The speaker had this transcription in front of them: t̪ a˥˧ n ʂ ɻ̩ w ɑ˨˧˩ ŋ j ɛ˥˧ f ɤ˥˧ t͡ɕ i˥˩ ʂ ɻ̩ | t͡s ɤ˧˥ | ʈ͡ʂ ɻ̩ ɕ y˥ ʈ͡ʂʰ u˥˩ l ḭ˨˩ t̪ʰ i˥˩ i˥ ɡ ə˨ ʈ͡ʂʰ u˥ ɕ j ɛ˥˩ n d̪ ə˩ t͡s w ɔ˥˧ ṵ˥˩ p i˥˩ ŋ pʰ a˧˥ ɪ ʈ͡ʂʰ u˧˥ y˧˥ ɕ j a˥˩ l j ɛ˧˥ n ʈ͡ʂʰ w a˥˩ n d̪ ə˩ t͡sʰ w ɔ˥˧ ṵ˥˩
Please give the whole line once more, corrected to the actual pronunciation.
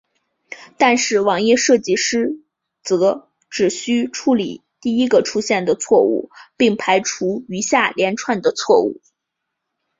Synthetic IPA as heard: t̪ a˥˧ n ʂ ɻ̩ w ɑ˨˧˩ ŋ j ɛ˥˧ ʂ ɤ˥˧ t͡ɕ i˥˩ ʂ ɻ̩ | t͡s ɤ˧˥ | ʈ͡ʂ ɻ̩ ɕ y˥ ʈ͡ʂʰ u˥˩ l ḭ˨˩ t̪ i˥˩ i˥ ɡ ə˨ ʈ͡ʂʰ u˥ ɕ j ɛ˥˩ n d̪ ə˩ t͡sʰ w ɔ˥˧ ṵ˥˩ p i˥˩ ŋ pʰ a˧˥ ɪ ʈ͡ʂʰ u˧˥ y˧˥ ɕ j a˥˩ l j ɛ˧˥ n ʈ͡ʂʰ w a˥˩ n d̪ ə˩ t͡sʰ w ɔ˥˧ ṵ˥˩

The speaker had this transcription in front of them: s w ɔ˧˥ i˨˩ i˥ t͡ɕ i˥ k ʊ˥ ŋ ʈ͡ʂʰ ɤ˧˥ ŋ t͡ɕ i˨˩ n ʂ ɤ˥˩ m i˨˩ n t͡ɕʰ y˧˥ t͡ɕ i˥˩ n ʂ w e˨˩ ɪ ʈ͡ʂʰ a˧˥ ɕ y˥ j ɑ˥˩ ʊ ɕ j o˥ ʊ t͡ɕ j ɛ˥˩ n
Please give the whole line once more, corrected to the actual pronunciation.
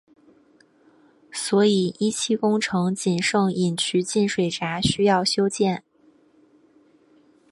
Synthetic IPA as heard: s w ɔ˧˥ i˨˩ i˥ t͡ɕʰ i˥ k ʊ˥ ŋ ʈ͡ʂʰ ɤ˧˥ ŋ t͡ɕ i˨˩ n ʂ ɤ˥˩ ŋ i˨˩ n t͡ɕʰ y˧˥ t͡ɕ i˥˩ n ʂ w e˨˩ ɪ ʈ͡ʂ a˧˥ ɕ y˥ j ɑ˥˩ ʊ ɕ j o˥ ʊ t͡ɕ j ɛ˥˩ n

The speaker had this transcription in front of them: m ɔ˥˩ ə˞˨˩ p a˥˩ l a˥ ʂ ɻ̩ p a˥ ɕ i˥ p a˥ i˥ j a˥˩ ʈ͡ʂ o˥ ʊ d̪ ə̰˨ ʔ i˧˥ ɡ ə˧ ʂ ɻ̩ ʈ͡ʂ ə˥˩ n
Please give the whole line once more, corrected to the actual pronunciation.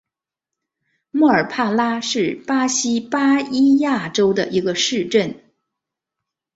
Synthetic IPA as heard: m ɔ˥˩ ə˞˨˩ pʰ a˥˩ l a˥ ʂ ɻ̩ p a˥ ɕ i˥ p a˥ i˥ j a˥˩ ʈ͡ʂ o˥ ʊ d̪ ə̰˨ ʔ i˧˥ ɡ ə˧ ʂ ɻ̩ ʈ͡ʂ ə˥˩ n

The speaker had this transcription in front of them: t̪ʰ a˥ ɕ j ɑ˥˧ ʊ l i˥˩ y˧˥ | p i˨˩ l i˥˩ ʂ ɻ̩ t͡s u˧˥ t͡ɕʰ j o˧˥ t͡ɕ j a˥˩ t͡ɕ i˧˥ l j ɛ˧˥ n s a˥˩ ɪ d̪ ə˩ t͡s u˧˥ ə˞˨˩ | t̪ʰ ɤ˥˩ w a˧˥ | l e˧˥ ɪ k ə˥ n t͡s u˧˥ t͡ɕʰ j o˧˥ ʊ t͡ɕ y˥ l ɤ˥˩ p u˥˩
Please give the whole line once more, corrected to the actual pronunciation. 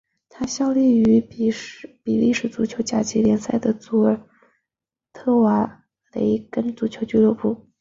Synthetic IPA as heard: t̪ʰ a˥ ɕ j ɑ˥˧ ʊ l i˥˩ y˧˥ | p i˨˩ l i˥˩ ʂ ɻ̩ t͡s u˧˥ t͡ɕʰ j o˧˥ t͡ɕ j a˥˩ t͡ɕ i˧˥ l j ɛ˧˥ n s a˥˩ ɪ d̪ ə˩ t͡s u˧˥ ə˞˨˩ | t̪ʰ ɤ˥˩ w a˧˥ | l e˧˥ ɪ k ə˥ n t͡s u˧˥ t͡ɕʰ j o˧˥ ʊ t͡ɕ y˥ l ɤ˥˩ p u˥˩

